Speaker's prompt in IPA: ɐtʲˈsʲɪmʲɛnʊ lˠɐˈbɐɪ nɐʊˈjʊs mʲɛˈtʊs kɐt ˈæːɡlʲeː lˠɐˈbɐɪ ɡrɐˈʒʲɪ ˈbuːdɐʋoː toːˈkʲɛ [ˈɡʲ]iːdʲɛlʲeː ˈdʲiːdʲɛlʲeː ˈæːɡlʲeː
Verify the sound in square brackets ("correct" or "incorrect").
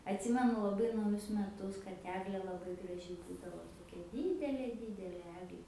incorrect